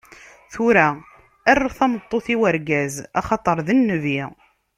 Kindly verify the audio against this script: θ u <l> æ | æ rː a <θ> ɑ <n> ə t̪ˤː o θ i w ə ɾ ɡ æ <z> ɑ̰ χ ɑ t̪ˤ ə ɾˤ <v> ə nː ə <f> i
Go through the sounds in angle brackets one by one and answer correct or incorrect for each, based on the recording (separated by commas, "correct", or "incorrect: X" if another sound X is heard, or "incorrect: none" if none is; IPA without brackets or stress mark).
incorrect: ɾ, correct, incorrect: m, correct, incorrect: ð, incorrect: v